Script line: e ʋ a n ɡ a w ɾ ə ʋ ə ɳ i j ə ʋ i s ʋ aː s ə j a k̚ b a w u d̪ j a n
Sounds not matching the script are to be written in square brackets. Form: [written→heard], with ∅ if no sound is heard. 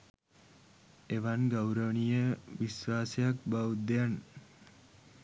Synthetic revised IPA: e ʋ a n ɡ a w ɾ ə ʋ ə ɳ i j ə ʋ i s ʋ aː s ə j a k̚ b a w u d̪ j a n